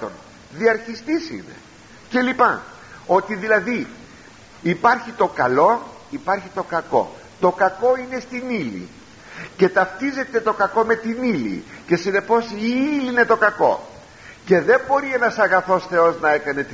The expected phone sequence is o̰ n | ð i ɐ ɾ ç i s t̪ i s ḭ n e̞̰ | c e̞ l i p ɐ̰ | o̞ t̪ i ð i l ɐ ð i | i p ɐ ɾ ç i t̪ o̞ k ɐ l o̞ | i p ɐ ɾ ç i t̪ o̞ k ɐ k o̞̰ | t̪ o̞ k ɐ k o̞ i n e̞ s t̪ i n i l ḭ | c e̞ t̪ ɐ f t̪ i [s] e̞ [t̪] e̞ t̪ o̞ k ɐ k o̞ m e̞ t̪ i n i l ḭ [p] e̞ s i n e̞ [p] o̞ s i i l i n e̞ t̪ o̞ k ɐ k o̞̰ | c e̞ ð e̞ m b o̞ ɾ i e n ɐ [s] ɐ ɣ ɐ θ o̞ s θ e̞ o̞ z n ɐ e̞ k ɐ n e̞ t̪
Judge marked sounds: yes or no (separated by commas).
no, yes, no, yes, yes